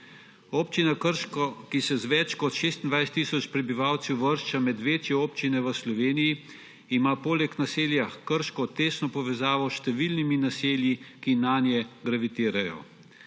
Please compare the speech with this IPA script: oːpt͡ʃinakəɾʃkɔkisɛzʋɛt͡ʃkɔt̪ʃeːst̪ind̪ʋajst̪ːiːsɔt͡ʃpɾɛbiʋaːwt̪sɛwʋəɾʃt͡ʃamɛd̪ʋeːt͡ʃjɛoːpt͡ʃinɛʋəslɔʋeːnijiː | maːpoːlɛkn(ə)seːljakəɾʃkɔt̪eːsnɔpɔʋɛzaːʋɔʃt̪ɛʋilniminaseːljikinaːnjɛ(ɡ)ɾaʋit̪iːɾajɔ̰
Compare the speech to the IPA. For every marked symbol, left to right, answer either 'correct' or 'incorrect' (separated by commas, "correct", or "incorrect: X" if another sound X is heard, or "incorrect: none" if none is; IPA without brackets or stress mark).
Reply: incorrect: a, correct